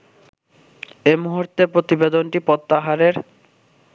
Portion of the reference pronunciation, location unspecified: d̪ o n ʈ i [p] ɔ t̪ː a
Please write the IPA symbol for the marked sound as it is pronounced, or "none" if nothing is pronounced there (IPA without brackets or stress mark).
p